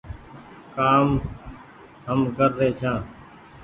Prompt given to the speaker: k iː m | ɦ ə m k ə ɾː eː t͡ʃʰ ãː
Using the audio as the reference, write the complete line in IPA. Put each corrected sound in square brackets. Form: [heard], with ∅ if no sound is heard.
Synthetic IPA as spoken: k [aː] m | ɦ ə m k ə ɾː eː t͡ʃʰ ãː